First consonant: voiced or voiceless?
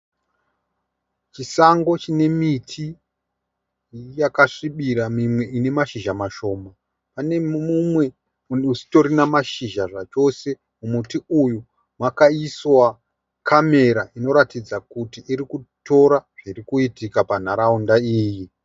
voiceless